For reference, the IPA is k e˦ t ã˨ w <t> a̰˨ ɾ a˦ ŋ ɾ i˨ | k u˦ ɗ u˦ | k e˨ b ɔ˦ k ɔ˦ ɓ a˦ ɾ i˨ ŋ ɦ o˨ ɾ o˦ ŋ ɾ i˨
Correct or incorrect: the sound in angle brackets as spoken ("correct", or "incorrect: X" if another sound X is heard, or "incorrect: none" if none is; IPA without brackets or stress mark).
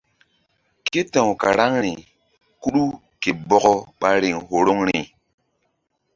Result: incorrect: k